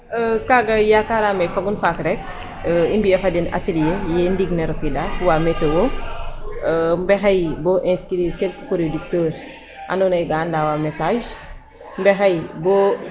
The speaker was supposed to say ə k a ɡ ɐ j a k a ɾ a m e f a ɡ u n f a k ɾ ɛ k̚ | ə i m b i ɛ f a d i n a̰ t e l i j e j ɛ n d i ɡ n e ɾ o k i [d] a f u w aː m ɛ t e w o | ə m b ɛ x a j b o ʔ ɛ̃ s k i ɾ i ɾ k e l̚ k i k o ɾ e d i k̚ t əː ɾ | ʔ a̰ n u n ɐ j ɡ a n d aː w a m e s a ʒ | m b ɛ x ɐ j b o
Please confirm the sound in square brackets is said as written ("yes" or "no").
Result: yes